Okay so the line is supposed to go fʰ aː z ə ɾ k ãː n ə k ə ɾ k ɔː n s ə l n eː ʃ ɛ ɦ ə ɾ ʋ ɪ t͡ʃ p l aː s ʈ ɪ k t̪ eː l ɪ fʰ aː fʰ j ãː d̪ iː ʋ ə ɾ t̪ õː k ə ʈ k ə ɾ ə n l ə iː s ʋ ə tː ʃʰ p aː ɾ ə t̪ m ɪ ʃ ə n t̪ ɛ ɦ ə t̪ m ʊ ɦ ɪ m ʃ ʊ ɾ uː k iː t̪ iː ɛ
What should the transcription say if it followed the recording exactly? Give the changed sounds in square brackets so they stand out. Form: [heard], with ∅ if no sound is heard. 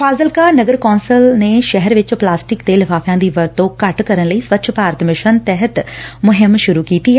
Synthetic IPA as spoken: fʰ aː z ə [l] k [aː] n ə [ɡ] ə ɾ k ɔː n s ə l n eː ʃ ɛ ɦ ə ɾ ʋ ɪ t͡ʃ p l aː s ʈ ɪ k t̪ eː l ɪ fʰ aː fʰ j ãː d̪ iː ʋ ə ɾ t̪ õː k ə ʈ k ə ɾ ə n l ə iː s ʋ ə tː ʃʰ p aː ɾ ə t̪ m ɪ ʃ ə n t̪ ɛ ɦ ə t̪ m ʊ ɦ ɪ m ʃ ʊ ɾ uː k iː t̪ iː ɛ